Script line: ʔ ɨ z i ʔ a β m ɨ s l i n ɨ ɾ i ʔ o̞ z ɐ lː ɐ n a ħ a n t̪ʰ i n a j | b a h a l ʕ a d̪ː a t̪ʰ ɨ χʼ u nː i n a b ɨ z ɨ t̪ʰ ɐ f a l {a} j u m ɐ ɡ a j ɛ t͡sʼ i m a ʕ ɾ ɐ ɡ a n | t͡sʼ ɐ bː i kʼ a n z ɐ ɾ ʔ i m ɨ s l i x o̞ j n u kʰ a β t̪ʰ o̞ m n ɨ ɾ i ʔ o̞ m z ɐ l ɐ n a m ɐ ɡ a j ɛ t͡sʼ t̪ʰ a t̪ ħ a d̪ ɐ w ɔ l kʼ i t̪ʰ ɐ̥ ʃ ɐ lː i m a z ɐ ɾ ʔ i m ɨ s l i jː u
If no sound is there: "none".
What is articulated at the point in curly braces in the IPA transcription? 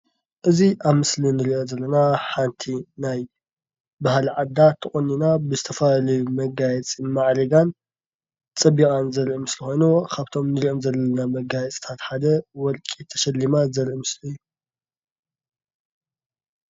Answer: ɐ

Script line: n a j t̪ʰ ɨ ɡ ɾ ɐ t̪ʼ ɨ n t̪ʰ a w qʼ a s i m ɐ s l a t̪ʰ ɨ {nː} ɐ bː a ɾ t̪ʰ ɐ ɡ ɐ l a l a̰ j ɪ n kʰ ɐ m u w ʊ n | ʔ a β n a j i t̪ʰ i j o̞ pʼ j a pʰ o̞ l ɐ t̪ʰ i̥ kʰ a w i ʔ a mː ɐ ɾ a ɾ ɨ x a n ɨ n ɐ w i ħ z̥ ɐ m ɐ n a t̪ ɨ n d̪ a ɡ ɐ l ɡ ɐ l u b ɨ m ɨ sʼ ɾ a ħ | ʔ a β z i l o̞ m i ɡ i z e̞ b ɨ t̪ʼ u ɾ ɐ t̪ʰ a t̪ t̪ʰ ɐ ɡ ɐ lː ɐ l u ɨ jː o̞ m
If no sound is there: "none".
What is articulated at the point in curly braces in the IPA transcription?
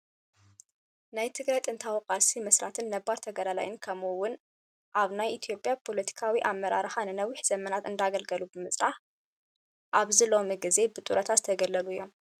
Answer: nː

